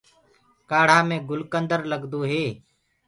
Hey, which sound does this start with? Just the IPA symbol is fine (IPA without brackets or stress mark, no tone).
k